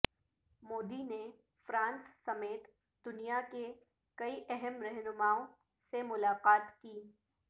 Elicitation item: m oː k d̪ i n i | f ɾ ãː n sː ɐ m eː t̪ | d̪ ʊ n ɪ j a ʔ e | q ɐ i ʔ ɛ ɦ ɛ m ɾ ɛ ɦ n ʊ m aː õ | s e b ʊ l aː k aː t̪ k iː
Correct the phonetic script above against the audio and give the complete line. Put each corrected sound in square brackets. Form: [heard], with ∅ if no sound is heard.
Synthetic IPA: m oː [∅] d̪ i n [e] | f ɾ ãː n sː ɐ m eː t̪ | d̪ ʊ n [i] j a [k] e | [k] ɐ i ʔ ɛ ɦ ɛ m ɾ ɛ ɦ n ʊ m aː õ | s e [m] ʊ l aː [q] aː t̪ k iː